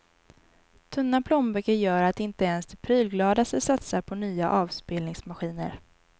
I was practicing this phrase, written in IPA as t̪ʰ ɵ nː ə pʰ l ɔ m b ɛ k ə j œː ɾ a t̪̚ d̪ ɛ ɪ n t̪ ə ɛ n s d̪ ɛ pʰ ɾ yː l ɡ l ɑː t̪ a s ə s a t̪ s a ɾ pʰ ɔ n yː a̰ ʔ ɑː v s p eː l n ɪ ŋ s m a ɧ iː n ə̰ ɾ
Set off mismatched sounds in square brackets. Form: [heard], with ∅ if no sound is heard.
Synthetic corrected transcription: t̪ʰ ɵ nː [a] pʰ l ɔ m b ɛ k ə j œː ɾ a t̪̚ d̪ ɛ ɪ n t̪ ə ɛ n s d̪ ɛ pʰ ɾ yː l ɡ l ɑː [d̪] a s ə s a t̪ s a ɾ pʰ ɔ n yː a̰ ʔ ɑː v s p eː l n ɪ ŋ s m a ɧ iː n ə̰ ɾ